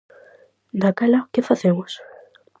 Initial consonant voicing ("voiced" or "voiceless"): voiced